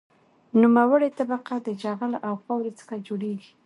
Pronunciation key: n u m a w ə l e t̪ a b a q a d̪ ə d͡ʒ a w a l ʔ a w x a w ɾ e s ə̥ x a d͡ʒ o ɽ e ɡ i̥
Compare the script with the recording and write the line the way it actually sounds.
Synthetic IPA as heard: n u m a w ə ɽ e t̪ a b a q a d̪ ə d͡ʒ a ɣ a l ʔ a w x a w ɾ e t͡s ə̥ x a d͡ʒ o ɽ e ɡ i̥